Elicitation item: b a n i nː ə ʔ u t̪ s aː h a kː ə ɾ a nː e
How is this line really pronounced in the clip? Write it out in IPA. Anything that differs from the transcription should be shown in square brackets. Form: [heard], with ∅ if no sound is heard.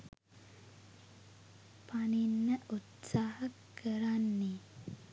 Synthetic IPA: [p] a n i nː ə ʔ u t̪ s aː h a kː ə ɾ a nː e